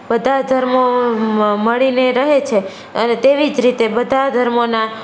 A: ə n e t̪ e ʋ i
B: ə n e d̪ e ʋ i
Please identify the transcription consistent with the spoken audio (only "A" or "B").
A